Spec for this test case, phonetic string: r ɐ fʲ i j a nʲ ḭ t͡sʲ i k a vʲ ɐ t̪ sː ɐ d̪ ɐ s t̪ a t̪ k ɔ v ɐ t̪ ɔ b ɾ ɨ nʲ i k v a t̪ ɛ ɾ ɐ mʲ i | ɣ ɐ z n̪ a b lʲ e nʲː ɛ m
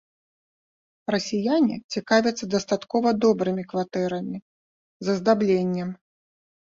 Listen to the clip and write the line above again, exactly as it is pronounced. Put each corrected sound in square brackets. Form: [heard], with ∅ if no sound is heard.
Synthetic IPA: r ɐ [sʲ] i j a nʲ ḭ t͡sʲ i k a vʲ ɐ t̪ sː ɐ d̪ ɐ s t̪ a t̪ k ɔ v ɐ [d̪] ɔ b ɾ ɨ [mʲ] i k v a t̪ ɛ ɾ ɐ mʲ i | [z] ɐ z [d̪] a b lʲ e nʲː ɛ m